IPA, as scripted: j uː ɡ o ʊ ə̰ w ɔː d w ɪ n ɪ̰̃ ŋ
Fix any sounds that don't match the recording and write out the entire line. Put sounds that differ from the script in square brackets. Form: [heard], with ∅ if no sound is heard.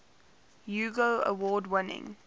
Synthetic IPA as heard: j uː ɡ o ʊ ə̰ w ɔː d w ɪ n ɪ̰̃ ŋ